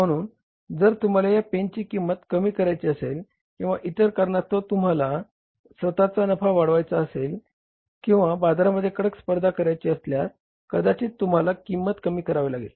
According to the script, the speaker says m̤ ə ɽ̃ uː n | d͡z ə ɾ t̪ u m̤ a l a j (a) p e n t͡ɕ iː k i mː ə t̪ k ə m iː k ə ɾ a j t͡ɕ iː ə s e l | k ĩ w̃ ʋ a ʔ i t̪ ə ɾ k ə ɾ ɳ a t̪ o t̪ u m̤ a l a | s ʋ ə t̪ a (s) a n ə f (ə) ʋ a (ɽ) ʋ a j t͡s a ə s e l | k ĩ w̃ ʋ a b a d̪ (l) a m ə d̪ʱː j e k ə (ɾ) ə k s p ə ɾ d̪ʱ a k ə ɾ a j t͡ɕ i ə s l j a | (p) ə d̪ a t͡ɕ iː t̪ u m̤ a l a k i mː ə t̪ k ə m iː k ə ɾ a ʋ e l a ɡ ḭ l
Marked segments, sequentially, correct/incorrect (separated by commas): correct, incorrect, incorrect, correct, incorrect, incorrect, incorrect